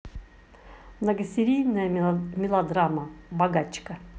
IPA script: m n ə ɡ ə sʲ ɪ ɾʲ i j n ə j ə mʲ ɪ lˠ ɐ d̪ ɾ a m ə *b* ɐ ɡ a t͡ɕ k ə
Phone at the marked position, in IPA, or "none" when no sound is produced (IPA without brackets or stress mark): b